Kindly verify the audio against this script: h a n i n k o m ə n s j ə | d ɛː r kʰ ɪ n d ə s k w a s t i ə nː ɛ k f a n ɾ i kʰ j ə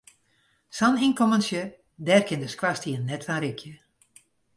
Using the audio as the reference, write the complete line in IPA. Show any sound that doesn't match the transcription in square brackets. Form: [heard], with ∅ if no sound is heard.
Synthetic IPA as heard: [s] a n i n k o m ə n s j ə | d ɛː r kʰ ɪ n d ə s k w a s t i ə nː ɛ [t] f a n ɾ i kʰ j ə